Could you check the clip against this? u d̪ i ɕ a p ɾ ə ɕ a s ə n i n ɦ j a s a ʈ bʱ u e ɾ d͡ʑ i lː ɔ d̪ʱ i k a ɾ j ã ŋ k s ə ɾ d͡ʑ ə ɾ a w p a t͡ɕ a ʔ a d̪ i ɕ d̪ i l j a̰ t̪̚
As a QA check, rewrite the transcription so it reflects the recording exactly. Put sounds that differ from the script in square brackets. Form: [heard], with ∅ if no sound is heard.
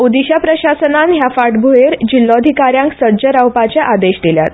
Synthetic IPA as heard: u d̪ i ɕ a p ɾ ə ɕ a s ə n [a] n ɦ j a [f] a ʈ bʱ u e ɾ d͡ʑ i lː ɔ d̪ʱ i k a ɾ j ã ŋ k s ə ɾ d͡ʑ ə ɾ a w p a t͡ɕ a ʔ a d̪ [e] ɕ d̪ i l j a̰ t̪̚